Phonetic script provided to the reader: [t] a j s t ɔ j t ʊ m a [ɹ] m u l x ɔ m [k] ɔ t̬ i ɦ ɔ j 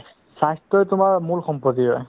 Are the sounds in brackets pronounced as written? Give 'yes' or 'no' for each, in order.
no, yes, no

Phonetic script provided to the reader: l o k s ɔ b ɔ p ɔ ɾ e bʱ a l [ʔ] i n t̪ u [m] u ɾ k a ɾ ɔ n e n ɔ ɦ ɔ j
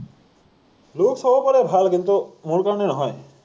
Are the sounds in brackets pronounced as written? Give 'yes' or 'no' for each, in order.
no, yes

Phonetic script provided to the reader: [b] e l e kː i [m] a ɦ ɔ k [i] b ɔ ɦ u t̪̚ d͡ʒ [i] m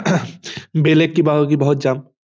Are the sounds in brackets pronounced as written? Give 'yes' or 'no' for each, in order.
yes, no, yes, no

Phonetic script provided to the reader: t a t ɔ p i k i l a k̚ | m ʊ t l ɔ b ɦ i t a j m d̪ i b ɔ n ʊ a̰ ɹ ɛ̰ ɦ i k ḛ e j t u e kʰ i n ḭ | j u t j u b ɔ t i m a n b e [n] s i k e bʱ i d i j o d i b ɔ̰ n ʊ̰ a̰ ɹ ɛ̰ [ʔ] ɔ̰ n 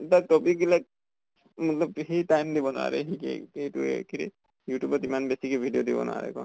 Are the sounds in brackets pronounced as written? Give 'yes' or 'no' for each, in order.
no, no

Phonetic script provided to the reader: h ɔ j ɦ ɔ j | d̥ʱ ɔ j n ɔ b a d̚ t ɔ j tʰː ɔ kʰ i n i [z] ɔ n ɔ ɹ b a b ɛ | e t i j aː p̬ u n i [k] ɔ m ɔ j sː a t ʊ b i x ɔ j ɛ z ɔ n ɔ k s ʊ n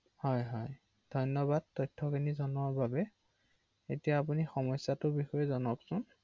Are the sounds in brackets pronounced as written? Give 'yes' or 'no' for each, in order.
yes, no

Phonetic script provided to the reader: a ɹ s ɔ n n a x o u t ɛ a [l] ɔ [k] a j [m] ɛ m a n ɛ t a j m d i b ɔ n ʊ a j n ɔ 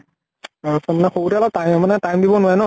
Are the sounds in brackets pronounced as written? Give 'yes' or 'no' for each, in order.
yes, no, yes

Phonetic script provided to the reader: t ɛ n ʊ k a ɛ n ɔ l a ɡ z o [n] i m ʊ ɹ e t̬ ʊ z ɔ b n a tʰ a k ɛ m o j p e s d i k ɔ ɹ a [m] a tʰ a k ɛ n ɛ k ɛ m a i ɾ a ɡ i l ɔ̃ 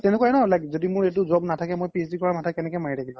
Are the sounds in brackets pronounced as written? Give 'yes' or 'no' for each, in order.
no, yes

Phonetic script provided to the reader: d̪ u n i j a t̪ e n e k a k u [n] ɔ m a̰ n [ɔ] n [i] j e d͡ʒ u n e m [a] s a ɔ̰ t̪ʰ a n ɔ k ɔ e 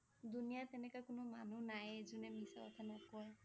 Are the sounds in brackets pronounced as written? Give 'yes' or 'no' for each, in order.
yes, no, no, no

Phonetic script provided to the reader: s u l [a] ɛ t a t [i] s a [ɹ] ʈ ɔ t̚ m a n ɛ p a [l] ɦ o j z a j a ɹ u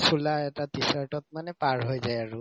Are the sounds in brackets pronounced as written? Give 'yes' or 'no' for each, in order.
yes, yes, yes, no

